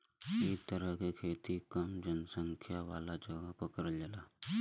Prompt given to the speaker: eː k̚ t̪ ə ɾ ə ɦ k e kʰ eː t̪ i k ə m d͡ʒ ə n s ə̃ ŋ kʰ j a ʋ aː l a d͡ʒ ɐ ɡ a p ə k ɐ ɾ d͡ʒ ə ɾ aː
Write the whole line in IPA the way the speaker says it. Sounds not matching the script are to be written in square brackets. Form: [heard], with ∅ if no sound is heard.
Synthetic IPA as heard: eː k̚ t̪ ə ɾ ə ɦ k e kʰ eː t̪ i k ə m d͡ʒ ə n s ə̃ ŋ kʰ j a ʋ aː l a d͡ʒ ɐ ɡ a p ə k [ə] ɾ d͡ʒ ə [l] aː